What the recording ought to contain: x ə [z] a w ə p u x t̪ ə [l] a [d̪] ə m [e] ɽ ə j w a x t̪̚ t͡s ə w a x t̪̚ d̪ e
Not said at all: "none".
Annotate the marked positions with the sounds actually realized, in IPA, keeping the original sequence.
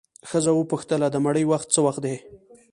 z, l, d̪, a

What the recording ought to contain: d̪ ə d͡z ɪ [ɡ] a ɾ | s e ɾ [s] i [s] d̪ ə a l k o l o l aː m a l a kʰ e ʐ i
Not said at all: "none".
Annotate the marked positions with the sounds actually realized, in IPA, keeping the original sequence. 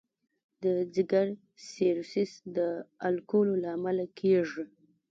ɡ, s, s

